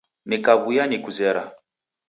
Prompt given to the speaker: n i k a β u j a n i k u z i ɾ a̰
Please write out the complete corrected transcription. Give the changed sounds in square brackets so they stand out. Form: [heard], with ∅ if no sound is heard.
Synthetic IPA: n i k a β u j a n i k u z [ɛ] ɾ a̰